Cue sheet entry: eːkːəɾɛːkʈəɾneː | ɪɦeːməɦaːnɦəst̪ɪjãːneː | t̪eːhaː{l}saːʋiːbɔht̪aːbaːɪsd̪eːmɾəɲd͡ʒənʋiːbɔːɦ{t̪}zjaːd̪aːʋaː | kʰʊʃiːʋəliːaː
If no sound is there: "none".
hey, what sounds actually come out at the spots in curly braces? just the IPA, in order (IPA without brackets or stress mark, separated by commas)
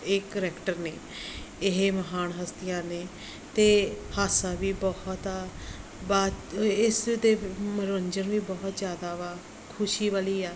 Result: none, t̪